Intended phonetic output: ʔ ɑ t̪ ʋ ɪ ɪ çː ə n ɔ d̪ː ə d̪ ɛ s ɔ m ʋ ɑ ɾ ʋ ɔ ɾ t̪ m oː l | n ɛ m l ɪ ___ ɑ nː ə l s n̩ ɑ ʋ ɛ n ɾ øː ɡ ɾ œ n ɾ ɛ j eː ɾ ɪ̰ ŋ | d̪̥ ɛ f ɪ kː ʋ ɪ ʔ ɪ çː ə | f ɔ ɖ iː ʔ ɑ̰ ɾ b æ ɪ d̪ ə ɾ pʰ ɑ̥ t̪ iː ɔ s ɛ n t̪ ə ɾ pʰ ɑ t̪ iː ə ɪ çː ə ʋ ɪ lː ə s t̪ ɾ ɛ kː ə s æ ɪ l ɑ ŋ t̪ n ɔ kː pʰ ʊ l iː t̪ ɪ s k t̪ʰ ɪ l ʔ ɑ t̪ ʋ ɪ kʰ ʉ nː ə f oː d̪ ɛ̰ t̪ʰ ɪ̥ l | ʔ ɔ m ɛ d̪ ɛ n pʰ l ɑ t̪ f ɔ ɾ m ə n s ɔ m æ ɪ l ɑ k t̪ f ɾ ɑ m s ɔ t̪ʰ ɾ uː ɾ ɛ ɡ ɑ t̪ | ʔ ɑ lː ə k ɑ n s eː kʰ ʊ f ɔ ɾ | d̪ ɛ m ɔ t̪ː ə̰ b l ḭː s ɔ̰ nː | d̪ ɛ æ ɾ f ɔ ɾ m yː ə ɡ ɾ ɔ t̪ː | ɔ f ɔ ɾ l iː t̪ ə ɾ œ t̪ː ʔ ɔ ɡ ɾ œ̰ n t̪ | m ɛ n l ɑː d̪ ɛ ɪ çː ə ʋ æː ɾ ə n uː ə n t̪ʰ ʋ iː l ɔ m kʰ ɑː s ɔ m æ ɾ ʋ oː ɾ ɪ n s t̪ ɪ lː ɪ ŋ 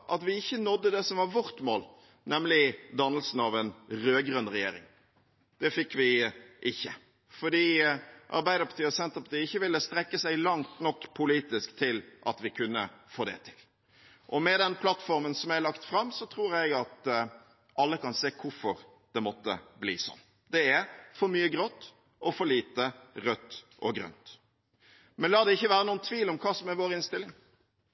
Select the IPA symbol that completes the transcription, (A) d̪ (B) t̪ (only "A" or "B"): A